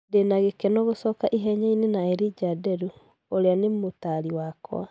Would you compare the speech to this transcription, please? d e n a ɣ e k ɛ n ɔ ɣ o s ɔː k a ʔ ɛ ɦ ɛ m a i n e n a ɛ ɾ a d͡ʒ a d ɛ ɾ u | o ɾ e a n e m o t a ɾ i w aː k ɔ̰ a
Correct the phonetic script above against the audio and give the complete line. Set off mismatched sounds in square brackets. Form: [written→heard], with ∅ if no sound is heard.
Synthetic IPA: d e n a ɣ e k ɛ n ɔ ɣ o s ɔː k a ʔ [ɛ→i] ɦ ɛ [m→ɲ] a i n e n a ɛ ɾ [a→i] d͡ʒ a d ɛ ɾ u | o ɾ e a n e m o t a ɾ i w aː k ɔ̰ a